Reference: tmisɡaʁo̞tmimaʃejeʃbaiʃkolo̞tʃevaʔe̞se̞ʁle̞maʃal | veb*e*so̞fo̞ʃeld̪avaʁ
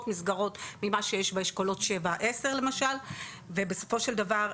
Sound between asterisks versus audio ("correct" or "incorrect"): correct